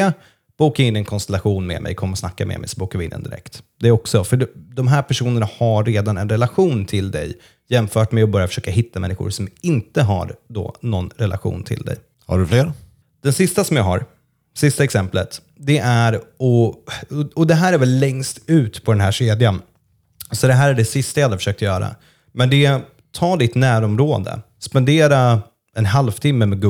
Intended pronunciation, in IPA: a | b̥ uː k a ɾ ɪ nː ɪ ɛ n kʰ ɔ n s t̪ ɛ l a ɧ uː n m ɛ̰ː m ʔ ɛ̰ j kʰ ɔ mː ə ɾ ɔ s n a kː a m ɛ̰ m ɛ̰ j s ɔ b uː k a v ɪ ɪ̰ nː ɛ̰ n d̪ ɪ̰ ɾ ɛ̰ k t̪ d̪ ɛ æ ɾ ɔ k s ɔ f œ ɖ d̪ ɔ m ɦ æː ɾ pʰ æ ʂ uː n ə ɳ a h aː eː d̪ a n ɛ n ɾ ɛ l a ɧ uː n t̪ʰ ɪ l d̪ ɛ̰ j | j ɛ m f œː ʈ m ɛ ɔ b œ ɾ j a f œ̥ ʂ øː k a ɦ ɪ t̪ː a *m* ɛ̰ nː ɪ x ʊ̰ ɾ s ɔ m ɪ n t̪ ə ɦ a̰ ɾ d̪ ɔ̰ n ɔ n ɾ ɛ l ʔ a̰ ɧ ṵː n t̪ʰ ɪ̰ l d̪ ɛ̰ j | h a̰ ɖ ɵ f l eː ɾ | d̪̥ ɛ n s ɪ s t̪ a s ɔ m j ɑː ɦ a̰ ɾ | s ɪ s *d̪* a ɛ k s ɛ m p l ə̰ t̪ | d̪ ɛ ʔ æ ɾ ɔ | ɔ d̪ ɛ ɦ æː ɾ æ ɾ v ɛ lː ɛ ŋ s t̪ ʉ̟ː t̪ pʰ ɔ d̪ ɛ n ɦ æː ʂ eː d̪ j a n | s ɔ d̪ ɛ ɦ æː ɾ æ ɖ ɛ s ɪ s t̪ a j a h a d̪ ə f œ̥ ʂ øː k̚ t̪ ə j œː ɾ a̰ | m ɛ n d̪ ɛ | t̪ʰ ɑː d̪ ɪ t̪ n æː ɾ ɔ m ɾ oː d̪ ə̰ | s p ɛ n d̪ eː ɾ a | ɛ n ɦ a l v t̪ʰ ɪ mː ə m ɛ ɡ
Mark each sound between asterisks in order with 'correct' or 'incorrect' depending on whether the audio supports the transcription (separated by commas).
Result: correct, incorrect